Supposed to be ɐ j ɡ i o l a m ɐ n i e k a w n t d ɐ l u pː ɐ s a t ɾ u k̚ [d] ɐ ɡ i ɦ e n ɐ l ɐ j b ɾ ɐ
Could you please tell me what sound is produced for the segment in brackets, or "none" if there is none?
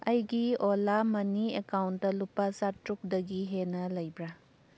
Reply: d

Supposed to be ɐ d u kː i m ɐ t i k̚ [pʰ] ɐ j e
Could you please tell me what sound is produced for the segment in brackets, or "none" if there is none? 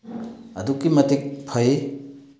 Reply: pʰ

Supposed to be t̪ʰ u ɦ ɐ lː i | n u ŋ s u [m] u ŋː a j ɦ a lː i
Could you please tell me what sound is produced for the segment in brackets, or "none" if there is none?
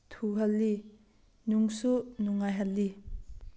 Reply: n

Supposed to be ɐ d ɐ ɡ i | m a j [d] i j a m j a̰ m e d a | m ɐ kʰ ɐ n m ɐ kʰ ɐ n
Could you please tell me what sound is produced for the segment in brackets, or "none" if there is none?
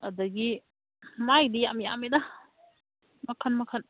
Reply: d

